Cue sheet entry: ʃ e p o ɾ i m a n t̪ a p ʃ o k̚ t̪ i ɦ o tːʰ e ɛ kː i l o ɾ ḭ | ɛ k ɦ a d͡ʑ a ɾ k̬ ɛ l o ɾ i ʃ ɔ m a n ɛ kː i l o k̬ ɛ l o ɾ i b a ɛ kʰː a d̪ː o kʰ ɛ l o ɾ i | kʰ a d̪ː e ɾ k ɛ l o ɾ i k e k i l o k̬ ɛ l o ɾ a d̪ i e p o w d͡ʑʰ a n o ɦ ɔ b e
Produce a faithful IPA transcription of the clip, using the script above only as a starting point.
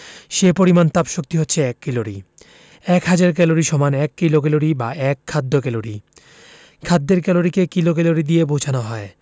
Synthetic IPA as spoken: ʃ e p o ɾ i m a n t̪ a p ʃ o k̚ t̪ i ɦ o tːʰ e ɛ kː i l o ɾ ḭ | ɛ k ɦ a d͡ʑ a ɾ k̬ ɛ l o ɾ i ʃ ɔ m a n ɛ kː i l o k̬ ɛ l o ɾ i b a ɛ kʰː a d̪ː o k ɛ l o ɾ i | kʰ a d̪ː e ɾ k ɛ l o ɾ i k e k i l o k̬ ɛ l o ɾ i d̪ i e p o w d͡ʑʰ a n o ɦ ɔ e